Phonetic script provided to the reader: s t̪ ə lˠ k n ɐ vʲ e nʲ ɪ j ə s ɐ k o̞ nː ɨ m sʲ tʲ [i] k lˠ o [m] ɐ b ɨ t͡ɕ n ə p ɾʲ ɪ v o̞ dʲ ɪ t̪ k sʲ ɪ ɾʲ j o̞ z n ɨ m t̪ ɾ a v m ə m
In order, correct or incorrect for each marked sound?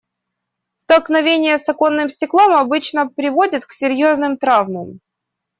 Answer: incorrect: ɪ, correct

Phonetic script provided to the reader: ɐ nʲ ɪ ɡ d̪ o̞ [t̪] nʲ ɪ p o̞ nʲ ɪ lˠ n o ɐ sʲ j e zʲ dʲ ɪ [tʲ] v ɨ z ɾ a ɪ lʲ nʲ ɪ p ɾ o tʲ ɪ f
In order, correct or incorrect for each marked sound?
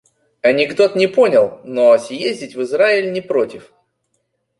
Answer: correct, correct

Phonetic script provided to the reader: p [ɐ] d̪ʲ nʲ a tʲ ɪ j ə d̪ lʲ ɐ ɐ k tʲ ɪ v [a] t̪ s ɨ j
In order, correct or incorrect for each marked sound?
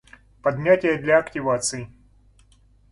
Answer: correct, correct

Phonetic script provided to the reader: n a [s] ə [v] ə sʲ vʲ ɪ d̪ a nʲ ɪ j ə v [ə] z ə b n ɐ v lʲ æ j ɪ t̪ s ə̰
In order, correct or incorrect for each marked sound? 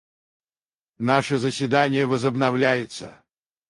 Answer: incorrect: ʂ, incorrect: z, correct

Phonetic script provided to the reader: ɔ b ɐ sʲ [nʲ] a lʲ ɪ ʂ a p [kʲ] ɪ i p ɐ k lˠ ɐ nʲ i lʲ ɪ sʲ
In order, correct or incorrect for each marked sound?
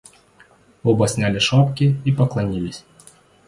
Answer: correct, correct

